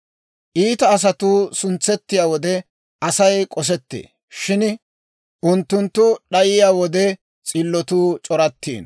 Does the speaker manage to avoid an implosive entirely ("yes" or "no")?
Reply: no